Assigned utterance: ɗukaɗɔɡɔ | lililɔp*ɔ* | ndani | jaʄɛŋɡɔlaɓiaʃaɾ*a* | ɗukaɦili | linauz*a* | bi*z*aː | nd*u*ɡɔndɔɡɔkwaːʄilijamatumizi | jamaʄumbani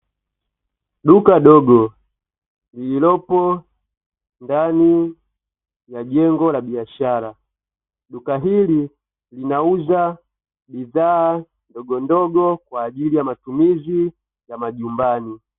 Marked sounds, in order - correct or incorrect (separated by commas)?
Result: correct, correct, correct, incorrect, incorrect